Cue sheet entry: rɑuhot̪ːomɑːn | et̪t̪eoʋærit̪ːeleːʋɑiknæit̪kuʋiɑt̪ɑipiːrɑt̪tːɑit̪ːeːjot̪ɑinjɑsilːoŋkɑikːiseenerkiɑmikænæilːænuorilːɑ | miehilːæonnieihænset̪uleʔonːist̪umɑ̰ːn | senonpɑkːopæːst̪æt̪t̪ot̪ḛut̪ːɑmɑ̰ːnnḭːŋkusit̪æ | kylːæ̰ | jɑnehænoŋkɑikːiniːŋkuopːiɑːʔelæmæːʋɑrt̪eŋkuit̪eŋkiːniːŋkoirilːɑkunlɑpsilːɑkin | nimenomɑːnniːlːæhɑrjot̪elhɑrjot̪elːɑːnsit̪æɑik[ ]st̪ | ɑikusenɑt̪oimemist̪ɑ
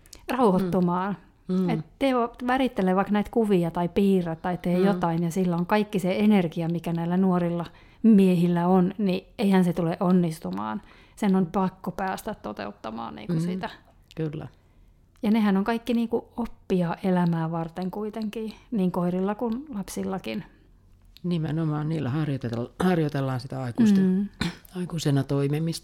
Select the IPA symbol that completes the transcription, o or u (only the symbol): u